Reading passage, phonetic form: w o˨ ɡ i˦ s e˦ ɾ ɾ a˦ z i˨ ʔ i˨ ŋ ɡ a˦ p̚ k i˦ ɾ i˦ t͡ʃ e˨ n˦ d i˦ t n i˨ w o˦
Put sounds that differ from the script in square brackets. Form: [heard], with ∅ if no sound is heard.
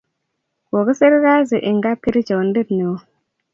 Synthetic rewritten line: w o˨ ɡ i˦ s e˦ ɾ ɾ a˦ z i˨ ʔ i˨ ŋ ɡ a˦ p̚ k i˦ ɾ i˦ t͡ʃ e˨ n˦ d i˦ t n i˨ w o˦